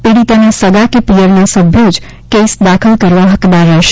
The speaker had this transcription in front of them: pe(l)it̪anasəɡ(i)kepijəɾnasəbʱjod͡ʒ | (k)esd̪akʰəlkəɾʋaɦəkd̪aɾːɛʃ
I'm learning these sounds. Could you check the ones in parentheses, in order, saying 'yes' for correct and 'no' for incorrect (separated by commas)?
no, no, yes